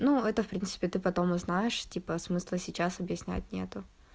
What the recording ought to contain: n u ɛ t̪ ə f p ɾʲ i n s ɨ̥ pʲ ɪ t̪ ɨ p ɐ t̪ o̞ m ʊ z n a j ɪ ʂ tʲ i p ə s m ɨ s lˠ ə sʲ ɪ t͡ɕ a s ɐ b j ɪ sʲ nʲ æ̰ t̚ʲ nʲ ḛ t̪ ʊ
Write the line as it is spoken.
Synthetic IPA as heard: n u ɛ t̪ ə f p ɾʲ i n s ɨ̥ pʲ ɪ t̪ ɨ p ɐ t̪ o̞ m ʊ z n a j ɪ ʂ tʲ i p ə s m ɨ s lˠ ə sʲ ɪ t͡ɕ a s ɐ b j ɪ sʲ nʲ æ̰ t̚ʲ nʲ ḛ t̪ ʊ